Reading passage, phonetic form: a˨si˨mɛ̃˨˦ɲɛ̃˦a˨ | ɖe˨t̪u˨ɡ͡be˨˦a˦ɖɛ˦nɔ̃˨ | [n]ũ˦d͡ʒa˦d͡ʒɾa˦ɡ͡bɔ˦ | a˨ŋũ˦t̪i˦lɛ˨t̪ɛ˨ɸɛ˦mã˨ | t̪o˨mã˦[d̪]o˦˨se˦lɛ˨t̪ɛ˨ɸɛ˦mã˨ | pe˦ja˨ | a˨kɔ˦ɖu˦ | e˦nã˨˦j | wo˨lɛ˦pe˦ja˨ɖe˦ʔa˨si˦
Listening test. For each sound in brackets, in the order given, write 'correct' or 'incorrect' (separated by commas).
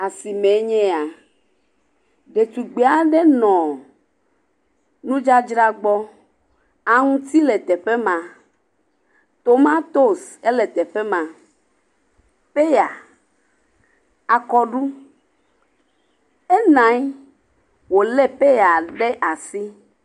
correct, incorrect